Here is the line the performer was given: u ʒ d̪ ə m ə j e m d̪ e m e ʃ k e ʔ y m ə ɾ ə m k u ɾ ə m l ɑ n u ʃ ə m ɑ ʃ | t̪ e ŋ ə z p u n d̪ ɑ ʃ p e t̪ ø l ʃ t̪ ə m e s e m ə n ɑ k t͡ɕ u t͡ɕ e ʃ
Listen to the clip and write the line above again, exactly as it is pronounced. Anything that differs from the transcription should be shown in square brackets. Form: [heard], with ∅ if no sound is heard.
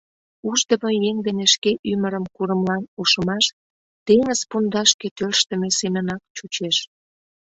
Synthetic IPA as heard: u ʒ d̪ ə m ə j e [ŋ] d̪ e [n] e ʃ k e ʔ y m ə ɾ ə m k u ɾ ə m l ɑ n u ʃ ə m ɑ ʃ | t̪ e ŋ ə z p u n d̪ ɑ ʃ [k] e t̪ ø l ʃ t̪ ə m e s e m ə n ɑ k t͡ɕ u t͡ɕ e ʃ

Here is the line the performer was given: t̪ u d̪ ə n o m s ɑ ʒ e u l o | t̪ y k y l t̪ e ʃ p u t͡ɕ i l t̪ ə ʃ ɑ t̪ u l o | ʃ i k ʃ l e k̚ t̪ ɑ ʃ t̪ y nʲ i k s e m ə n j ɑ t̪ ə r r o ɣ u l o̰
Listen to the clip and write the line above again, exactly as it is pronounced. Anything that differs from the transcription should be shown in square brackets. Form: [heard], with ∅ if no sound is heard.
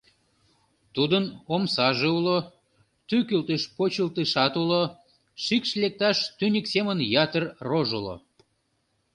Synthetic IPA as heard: t̪ u d̪ ə n o m s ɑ ʒ e u l o | t̪ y k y l t̪ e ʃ p [o] t͡ɕ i l t̪ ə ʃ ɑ t̪ u l o | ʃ i k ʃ l e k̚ t̪ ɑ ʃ t̪ y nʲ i k s e m ə n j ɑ t̪ ə r r o [ʒ] u l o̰

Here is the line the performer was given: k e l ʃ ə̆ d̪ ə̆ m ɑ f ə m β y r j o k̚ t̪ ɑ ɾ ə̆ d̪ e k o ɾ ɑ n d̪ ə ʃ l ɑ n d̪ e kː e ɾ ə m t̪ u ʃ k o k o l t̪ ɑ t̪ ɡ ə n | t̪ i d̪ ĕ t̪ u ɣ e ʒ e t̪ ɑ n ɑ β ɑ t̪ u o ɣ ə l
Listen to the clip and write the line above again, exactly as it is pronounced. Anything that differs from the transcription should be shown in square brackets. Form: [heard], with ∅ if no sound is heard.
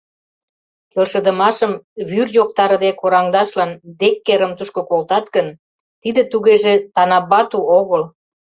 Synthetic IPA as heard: k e l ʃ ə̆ d̪ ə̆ m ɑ [ʃ] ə m β y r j o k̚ t̪ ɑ ɾ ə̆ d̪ e k o ɾ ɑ [ŋ] d̪ [ɑ] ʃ l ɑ n d̪ e kː e ɾ ə m t̪ u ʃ k o k o l t̪ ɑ t̪ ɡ ə n | t̪ i d̪ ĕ t̪ u ɣ e ʒ e t̪ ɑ n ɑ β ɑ t̪ u o ɣ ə l

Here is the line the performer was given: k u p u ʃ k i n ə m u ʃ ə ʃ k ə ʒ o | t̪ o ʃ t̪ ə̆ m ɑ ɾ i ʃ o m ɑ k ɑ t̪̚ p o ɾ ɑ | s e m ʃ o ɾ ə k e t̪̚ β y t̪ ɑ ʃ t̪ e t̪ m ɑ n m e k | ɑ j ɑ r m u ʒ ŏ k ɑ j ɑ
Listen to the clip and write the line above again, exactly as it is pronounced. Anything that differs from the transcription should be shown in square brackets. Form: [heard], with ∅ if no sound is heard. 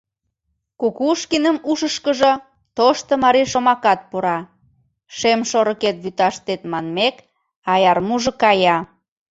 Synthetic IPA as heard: k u [k] u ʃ k i n ə m u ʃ ə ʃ k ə ʒ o | t̪ o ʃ t̪ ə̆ m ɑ ɾ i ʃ o m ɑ k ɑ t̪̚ p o ɾ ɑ | [ʃ] e m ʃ o ɾ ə k e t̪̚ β y t̪ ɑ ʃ t̪ e t̪ m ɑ n m e k | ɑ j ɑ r m u ʒ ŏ k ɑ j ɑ

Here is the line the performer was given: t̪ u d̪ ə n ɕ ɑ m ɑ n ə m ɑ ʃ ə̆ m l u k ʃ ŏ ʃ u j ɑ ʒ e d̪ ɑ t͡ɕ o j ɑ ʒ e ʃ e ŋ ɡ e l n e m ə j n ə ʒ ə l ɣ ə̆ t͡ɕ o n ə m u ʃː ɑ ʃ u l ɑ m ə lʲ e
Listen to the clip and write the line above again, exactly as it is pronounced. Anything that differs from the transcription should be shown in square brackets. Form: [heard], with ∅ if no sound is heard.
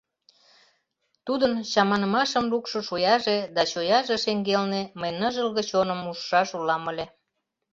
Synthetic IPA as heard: t̪ u d̪ ə n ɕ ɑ m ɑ n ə m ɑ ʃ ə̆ m l u k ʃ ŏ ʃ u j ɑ ʒ e d̪ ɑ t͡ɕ o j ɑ ʒ e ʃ e ŋ ɡ e l n e m ə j n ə ʒ ə l ɣ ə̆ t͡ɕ o n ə m u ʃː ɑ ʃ u l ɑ m ə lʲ e

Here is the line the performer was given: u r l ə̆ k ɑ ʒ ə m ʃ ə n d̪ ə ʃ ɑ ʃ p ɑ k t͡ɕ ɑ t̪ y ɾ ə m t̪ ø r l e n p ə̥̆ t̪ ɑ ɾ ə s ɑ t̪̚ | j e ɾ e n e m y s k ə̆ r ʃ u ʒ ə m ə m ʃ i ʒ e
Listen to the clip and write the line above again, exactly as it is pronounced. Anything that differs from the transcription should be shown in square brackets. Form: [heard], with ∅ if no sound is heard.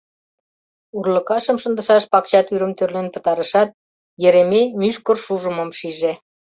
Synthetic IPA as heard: u r l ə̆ k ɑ [ʃ] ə m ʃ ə n d̪ ə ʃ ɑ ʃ p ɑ k t͡ɕ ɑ t̪ y ɾ ə m t̪ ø r l e n p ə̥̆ t̪ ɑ ɾ ə [ʃ] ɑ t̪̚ | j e ɾ e [m] e m y [ʃ] k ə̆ r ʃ u ʒ ə m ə m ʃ i ʒ e

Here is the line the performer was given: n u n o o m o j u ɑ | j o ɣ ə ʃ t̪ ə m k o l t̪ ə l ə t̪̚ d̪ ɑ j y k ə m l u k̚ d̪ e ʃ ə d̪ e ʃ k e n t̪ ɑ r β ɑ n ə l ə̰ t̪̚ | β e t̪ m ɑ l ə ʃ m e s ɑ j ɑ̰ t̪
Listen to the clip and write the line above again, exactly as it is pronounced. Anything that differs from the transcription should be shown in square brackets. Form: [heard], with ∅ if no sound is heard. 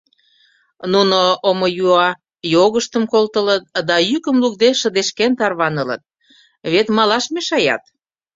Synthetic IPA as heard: n u n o o m o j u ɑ | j o ɣ ə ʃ t̪ ə m k o l t̪ ə l ə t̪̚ d̪ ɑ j y k ə m l u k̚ d̪ e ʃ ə d̪ e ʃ k e n t̪ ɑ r β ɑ n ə l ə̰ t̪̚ | β e t̪ m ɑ l [ɑ] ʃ m e [ʃ] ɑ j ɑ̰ t̪

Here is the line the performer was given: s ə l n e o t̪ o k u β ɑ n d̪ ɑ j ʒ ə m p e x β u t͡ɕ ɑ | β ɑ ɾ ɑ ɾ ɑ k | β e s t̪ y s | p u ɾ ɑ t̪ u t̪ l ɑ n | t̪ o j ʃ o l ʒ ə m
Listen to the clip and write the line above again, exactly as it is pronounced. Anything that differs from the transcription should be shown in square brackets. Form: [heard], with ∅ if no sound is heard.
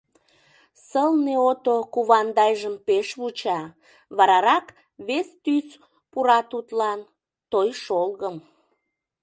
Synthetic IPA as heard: s ə l n e o t̪ o k u β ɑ n d̪ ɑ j ʒ ə m p e [ʃ] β u t͡ɕ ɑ | β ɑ ɾ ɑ ɾ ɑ k | β e s t̪ y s | p u ɾ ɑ t̪ u t̪ l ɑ n | t̪ o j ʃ o l [ɣ] ə m

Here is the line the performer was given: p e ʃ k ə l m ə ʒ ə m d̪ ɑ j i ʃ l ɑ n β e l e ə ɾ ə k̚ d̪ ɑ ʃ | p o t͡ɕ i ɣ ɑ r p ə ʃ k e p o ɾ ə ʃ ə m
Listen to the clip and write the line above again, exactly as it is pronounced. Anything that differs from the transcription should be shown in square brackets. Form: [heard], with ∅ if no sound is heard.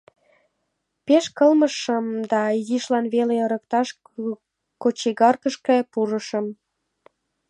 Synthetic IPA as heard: p e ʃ k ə l m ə [ʃ] ə m d̪ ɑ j i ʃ l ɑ n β e l e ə ɾ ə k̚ [t̪] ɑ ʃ | [k] o t͡ɕ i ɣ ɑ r [k] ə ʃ k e p [u] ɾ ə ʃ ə m

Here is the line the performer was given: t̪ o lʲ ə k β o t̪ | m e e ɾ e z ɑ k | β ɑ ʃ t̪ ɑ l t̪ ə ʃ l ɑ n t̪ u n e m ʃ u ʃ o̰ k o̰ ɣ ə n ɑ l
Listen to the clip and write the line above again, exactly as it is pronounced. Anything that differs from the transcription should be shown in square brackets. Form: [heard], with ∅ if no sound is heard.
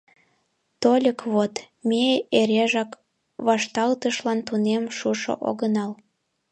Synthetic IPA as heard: t̪ o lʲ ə k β o t̪ | m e e ɾ e [ʒ] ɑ k | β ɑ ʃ t̪ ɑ l t̪ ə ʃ l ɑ n t̪ u n e m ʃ u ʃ o̰ [ʔ] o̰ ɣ ə n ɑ l

